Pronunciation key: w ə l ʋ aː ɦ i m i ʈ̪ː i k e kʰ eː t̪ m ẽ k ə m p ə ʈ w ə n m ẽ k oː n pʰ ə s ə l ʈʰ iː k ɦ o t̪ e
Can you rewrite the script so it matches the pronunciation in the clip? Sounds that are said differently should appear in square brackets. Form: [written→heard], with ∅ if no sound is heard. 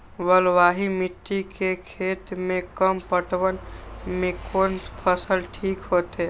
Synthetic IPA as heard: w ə l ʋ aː ɦ i m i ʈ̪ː i k e kʰ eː t̪ m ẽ k ə m p ə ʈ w ə n m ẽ k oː n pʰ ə s ə l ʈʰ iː k ɦ o t̪ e